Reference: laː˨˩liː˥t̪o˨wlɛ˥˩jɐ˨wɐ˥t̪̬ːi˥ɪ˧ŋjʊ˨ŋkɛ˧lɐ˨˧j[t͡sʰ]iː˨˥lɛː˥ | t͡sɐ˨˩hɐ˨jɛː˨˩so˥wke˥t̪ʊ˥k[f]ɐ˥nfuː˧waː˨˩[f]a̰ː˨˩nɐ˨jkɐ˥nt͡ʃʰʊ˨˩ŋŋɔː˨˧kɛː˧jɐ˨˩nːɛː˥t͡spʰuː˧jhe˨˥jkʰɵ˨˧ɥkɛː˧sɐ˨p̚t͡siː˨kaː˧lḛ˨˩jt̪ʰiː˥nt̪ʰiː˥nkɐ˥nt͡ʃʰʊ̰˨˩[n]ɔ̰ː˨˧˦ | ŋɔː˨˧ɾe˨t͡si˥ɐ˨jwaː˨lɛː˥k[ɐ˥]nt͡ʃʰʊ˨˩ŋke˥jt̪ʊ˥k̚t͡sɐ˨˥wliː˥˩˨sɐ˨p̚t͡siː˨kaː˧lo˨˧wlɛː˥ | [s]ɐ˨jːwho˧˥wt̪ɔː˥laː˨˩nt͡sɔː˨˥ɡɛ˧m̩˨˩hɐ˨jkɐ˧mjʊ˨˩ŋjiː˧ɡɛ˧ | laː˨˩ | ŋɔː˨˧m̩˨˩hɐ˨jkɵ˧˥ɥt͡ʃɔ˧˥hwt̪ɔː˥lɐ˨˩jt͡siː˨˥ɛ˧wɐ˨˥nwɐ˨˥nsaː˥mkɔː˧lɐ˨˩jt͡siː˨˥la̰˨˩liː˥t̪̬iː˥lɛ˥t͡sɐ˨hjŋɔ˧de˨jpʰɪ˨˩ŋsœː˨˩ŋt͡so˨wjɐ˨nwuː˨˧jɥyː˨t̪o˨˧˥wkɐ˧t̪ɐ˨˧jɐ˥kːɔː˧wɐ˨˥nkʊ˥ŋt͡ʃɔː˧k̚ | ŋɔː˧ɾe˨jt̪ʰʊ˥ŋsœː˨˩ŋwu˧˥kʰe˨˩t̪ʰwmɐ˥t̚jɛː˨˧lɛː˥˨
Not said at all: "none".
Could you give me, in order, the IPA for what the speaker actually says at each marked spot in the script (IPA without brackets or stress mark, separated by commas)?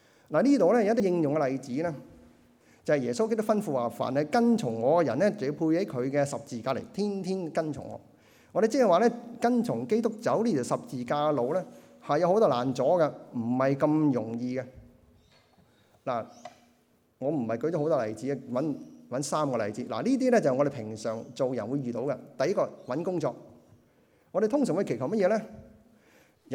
t͡s, f, f, ŋ, ɐ˥, h